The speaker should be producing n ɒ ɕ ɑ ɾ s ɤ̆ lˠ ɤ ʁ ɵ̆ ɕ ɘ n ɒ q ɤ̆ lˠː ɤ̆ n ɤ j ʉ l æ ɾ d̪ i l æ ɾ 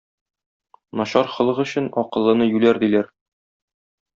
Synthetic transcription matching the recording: n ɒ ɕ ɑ ɾ χ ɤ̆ lˠ ɤ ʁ ɵ̆ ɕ ɘ n ɒ q ɤ̆ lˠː ɤ̆ n ɤ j ʉ l æ ɾ d̪ i l æ ɾ